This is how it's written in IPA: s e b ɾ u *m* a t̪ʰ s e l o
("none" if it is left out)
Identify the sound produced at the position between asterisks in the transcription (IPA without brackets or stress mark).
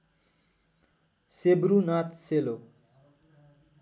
n